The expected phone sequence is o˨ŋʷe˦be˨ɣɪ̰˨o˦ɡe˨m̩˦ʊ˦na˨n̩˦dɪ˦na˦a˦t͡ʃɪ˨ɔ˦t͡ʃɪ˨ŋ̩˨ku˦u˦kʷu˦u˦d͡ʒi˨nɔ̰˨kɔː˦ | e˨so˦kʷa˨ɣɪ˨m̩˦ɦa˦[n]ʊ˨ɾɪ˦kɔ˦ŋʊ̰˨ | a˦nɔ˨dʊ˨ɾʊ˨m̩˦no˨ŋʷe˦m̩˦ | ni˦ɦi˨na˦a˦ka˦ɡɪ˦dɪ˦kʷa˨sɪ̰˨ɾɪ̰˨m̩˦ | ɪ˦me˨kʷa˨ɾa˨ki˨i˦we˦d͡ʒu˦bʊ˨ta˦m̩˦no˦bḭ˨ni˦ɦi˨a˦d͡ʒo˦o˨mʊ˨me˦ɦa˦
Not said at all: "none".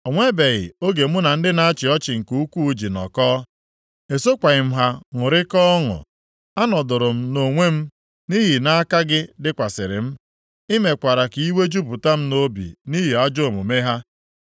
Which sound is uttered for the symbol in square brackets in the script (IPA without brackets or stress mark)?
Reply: ŋ